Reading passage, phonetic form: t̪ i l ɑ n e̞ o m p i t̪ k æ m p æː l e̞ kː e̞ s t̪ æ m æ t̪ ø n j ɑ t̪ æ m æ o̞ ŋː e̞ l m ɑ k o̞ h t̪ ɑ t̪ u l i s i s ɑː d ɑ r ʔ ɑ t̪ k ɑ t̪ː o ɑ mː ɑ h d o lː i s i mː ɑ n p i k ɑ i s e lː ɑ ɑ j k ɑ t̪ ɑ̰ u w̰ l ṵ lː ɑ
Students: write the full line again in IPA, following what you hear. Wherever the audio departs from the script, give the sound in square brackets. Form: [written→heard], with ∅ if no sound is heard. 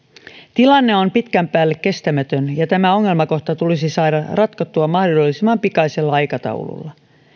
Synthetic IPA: t̪ i l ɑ [n→nː] e̞ o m p i t̪ k æ m p æː [l→lː] e̞ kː e̞ s t̪ æ m æ t̪ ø n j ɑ t̪ æ m æ o̞ ŋː e̞ l m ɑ k o̞ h t̪ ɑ t̪ u l i s i s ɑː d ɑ r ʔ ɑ t̪ k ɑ t̪ː [o→u] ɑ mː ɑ h d o lː i s i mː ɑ [n→m] p i k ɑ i s e lː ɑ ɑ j k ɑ t̪ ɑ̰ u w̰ l ṵ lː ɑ